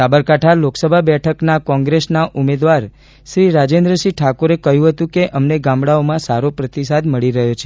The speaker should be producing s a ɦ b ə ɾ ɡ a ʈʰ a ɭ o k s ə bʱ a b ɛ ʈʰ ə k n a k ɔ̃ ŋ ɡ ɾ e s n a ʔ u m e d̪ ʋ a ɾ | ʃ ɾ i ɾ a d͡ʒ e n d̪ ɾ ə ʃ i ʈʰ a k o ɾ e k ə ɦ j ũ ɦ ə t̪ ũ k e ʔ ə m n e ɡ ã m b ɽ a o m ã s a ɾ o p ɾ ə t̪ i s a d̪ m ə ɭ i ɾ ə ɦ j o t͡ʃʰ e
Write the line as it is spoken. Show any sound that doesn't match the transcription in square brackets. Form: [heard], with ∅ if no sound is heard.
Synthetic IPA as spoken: s a [∅] b ə ɾ [k] a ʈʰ a [l] o k s ə bʱ a b ɛ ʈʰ ə k n a k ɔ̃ ŋ ɡ ɾ e s n a ʔ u m e d̪ ʋ a ɾ | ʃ ɾ i ɾ a d͡ʒ e n d̪ ɾ ə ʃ i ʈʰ a k o ɾ e k ə ɦ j ũ ɦ ə t̪ ũ k e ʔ ə m n e ɡ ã m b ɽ a o m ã s a ɾ o p ɾ ə t̪ i s a d̪ m ə ɭ i ɾ ə ɦ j o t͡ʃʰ e